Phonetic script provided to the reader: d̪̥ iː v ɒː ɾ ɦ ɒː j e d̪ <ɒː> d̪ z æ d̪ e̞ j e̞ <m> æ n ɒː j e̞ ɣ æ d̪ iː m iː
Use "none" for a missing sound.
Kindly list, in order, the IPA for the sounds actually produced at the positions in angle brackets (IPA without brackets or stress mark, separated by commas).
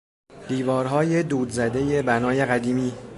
uː, b